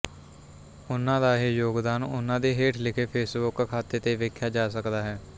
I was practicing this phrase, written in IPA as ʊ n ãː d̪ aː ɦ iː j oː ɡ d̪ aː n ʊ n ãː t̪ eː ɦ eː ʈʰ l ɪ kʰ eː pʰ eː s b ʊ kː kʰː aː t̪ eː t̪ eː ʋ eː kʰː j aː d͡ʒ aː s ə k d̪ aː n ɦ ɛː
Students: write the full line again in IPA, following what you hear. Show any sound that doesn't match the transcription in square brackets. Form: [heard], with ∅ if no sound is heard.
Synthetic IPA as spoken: ʊ n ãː d̪ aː ɦ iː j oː ɡ d̪ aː n ʊ n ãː [d̪] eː ɦ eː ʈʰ l ɪ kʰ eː pʰ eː s b ʊ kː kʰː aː t̪ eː t̪ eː ʋ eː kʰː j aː d͡ʒ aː s ə k d̪ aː [∅] ɦ ɛː